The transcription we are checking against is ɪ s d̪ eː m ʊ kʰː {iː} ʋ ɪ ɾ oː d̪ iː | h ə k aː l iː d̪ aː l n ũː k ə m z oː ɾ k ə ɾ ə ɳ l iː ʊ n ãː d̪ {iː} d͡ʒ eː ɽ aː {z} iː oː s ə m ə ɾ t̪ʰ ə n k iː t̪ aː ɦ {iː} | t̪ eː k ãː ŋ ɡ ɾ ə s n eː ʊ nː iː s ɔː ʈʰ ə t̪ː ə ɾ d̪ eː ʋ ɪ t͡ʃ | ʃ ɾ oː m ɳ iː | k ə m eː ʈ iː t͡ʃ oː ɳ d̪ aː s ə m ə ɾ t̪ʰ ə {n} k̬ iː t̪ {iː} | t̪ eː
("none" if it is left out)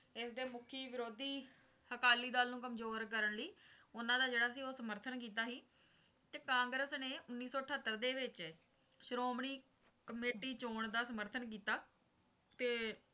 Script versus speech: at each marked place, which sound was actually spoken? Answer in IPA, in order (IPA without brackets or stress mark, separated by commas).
iː, aː, s, iː, n, aː